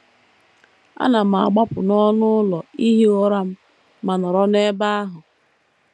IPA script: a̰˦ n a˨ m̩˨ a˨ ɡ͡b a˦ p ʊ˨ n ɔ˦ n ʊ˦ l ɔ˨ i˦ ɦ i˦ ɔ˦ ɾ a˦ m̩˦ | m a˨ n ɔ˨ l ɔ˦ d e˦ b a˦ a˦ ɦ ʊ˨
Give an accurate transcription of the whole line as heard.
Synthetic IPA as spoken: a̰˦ n a˨ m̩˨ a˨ ɡ͡b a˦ p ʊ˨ n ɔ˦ n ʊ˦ l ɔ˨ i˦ ɦ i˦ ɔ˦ ɾ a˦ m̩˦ | m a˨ n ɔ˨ ɾ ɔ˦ n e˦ b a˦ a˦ ɦ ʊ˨